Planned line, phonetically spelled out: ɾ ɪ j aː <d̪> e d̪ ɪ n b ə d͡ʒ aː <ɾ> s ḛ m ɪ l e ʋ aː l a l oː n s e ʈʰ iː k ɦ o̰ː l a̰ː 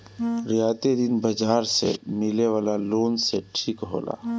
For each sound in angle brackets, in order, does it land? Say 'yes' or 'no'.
no, yes

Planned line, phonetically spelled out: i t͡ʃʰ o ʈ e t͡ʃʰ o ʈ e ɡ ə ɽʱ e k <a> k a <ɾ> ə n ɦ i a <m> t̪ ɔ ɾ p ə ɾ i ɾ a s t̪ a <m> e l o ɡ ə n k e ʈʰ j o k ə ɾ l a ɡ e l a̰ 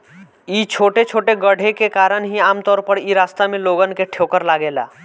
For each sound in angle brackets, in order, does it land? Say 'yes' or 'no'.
no, yes, yes, yes

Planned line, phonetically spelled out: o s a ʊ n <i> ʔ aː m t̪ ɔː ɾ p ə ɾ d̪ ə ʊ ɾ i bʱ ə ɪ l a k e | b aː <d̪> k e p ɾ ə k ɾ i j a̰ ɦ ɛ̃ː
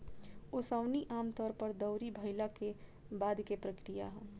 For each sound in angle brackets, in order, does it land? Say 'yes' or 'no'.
yes, yes

